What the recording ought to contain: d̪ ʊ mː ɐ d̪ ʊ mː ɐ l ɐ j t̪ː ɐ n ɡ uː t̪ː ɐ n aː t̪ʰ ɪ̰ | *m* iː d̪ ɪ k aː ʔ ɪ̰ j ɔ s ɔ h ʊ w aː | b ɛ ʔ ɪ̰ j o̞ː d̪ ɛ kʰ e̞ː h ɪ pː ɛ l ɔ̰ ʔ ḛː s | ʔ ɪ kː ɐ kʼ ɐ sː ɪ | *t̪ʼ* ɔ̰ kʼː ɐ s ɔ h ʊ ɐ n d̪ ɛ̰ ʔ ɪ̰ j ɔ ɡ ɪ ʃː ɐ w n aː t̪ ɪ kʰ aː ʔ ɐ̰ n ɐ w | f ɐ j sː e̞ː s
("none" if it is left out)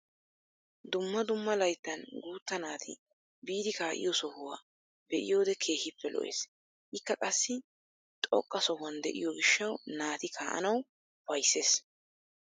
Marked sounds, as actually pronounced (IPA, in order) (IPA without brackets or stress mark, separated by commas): b, t̪ʼ